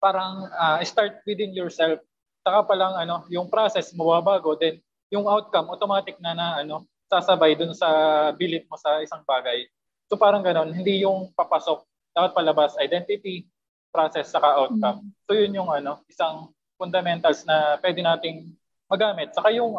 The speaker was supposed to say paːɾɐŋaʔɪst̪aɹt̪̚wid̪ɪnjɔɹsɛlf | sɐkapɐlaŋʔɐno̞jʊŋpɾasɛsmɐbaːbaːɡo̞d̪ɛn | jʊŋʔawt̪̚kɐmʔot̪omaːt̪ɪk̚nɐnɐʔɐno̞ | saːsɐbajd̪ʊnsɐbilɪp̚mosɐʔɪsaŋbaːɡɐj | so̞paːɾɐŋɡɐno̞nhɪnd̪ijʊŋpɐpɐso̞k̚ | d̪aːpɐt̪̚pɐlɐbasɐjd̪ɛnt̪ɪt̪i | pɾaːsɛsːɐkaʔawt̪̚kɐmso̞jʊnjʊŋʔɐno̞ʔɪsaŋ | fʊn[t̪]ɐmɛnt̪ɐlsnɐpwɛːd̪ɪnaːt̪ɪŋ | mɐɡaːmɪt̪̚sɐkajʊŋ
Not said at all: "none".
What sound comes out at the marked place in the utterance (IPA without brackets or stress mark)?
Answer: d̪